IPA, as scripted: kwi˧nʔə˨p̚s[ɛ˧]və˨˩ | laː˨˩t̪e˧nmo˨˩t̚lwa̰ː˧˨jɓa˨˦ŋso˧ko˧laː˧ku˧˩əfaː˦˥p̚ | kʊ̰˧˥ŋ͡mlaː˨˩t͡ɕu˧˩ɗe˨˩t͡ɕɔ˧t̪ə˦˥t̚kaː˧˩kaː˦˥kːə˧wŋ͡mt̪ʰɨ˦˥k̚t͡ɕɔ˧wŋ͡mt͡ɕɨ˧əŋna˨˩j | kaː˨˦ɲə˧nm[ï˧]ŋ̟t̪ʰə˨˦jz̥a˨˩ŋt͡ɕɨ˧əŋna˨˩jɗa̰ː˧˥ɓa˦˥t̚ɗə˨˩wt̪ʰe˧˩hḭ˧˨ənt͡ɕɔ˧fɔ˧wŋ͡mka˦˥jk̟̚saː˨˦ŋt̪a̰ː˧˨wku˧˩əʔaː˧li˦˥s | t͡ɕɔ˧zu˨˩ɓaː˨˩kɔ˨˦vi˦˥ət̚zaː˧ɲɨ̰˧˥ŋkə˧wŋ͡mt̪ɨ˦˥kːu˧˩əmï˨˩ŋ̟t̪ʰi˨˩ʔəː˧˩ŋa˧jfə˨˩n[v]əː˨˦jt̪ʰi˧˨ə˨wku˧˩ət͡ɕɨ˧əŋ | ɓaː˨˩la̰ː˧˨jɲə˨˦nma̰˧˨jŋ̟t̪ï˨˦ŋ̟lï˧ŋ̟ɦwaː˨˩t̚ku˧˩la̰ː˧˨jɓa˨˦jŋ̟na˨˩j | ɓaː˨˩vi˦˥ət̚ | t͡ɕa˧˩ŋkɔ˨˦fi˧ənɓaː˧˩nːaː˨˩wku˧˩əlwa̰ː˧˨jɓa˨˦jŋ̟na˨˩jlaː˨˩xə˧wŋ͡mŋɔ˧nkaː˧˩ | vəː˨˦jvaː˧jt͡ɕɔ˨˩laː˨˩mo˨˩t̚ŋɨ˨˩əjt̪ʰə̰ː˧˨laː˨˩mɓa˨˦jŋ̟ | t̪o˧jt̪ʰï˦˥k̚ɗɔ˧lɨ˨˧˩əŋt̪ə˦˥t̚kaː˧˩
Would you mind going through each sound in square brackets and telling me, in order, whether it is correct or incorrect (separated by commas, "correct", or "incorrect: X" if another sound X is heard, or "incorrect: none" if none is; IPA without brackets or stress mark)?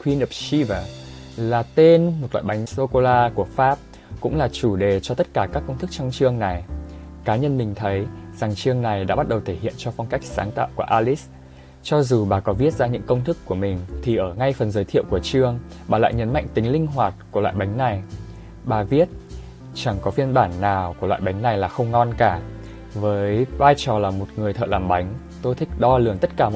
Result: incorrect: i˧, incorrect: ï˨˩, incorrect: z